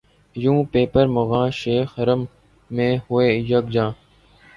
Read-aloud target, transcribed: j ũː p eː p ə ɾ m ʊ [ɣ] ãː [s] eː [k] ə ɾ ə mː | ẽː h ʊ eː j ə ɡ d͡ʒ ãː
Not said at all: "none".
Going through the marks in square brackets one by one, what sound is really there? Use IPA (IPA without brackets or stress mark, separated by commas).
ɣ, ʃ, x